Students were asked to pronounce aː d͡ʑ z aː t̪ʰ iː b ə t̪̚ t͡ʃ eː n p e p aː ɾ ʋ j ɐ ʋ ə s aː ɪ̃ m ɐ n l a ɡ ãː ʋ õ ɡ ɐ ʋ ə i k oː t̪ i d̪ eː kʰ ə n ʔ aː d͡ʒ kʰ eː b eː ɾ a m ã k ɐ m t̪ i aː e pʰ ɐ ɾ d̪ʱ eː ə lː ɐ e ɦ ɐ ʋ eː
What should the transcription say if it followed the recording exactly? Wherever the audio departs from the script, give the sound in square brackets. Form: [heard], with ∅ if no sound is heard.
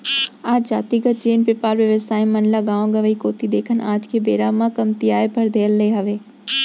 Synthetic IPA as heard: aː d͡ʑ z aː [t̪] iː [ɡ] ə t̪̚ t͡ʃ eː n p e p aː ɾ ʋ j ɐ ʋ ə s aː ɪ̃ m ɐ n l a ɡ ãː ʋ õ ɡ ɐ ʋ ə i k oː t̪ i d̪ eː kʰ ə n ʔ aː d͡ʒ kʰ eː b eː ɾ a m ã k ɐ m t̪ i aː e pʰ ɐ ɾ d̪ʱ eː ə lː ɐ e ɦ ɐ ʋ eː